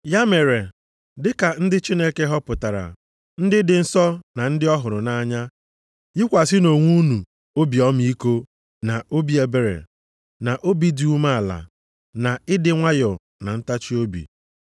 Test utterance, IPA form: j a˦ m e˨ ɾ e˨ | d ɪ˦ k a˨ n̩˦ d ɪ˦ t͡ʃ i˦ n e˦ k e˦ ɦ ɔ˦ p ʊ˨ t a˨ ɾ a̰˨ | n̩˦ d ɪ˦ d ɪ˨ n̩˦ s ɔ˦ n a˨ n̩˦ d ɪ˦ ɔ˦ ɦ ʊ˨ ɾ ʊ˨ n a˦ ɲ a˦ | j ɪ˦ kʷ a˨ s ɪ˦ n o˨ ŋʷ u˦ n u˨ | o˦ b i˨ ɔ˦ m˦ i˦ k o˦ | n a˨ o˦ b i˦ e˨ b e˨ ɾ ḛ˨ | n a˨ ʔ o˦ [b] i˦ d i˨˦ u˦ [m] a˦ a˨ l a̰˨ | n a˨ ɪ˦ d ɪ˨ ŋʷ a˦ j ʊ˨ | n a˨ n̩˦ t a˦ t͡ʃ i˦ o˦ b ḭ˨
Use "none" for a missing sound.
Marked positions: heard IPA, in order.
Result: b, m

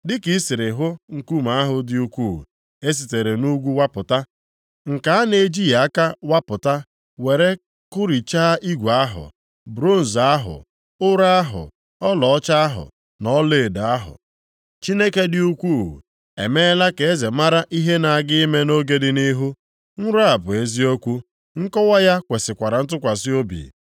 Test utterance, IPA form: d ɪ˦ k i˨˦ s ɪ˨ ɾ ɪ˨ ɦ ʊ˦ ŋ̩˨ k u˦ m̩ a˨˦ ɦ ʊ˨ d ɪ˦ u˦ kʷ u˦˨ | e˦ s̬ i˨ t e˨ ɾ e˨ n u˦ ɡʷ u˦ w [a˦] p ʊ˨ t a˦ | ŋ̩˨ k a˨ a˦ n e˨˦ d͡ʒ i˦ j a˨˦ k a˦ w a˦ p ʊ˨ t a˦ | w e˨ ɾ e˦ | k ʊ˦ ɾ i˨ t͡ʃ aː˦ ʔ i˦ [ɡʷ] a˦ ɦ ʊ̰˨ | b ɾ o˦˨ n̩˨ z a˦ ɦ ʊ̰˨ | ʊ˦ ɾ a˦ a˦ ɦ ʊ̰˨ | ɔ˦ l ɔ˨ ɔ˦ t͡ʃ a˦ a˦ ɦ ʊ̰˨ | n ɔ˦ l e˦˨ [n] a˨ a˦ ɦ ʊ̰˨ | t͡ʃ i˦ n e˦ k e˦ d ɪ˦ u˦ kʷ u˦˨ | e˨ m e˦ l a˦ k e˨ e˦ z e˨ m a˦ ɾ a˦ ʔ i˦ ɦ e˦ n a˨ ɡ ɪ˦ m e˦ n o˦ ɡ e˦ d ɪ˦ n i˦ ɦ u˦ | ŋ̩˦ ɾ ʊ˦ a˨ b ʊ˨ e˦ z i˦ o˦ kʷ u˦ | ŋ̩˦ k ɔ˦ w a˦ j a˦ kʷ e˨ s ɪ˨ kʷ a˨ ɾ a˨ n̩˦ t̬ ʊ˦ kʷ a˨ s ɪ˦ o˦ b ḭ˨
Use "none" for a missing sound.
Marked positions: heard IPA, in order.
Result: a˦, ɡʷ, d

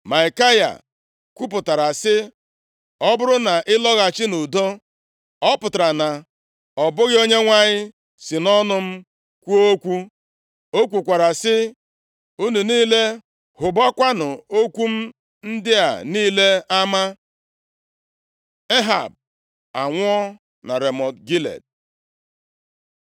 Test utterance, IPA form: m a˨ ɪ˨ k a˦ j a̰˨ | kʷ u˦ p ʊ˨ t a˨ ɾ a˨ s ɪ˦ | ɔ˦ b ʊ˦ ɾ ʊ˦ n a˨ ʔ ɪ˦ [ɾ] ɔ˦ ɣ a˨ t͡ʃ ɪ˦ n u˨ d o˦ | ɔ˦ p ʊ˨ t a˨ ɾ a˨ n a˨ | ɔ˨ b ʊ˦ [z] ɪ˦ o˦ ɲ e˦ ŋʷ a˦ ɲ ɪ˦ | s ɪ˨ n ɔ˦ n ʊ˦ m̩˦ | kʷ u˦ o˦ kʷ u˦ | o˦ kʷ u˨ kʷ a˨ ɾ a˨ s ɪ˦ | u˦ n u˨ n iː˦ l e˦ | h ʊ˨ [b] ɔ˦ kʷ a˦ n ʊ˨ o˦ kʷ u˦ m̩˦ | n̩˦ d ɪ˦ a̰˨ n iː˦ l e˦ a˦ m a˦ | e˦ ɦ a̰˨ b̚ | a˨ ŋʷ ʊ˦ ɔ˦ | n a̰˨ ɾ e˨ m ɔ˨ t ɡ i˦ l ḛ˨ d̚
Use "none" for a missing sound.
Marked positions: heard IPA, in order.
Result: l, ɣ, b

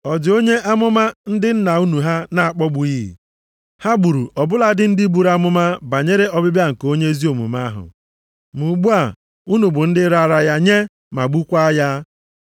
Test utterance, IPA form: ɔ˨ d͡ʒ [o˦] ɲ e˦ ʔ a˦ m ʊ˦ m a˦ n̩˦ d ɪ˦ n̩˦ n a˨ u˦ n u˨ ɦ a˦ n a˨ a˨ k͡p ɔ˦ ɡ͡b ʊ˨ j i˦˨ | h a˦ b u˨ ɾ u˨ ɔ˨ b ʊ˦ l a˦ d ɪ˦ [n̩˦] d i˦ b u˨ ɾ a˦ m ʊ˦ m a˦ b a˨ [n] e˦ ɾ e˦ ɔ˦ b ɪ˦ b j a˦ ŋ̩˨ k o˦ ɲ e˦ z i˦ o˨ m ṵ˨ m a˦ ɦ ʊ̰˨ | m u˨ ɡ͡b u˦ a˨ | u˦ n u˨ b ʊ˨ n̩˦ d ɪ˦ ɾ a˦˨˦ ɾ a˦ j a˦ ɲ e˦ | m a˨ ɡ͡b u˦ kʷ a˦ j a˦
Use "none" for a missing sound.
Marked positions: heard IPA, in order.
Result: o˦, n̩˦, ɲ

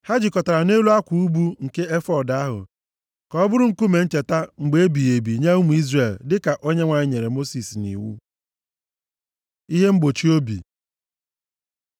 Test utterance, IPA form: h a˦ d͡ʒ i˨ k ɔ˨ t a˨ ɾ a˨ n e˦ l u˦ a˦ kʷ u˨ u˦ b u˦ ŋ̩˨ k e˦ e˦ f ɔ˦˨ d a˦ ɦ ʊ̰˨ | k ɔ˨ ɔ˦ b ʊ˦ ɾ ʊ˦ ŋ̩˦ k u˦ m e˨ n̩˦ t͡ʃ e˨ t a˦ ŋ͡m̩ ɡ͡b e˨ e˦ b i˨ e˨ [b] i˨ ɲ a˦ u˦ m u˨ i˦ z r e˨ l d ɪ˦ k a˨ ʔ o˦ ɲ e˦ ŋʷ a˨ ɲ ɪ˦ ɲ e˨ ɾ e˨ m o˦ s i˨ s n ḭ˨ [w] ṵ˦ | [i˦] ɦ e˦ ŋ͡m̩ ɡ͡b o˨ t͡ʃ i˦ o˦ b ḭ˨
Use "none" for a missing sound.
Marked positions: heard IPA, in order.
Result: b, w, i˦

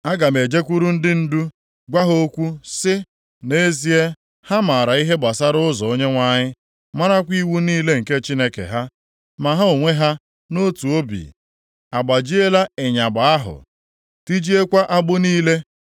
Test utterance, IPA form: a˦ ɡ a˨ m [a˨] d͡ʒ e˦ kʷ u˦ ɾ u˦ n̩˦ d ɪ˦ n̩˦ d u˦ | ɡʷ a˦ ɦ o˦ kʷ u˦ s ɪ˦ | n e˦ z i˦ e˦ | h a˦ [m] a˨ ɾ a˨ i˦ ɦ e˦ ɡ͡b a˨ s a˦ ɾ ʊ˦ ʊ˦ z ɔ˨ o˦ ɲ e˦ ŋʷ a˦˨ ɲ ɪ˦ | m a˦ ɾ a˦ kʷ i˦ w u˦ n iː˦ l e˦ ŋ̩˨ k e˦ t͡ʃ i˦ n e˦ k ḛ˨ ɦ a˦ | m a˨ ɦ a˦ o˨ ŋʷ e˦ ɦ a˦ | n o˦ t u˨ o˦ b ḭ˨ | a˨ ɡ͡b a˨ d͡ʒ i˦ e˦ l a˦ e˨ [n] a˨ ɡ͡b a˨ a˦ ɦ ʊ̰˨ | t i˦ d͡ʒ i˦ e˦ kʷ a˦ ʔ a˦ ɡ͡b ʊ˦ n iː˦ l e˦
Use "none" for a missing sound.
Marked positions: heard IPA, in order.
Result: e˨, m, ɲ

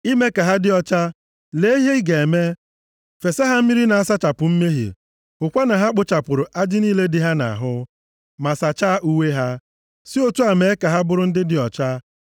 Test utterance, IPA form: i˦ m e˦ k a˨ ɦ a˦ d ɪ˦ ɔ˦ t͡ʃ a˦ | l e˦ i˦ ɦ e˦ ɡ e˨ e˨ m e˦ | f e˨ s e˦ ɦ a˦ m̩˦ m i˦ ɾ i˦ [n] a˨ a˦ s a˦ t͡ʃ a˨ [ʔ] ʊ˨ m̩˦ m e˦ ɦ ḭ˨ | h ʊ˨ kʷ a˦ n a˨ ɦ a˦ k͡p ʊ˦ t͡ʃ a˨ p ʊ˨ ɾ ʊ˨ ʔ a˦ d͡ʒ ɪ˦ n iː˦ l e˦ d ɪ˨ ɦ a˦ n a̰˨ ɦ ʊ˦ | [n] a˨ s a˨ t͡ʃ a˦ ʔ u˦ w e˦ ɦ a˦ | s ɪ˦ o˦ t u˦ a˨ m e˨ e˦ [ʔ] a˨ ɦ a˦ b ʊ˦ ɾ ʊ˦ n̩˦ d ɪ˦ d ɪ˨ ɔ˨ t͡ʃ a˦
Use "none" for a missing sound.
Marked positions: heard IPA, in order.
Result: n, p, m, k

